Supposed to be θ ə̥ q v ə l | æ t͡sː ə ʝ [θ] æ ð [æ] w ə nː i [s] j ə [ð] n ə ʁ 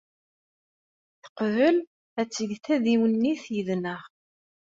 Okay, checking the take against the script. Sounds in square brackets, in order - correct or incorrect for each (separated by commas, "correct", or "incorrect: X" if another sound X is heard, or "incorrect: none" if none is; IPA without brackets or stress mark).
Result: correct, incorrect: i, incorrect: θ, correct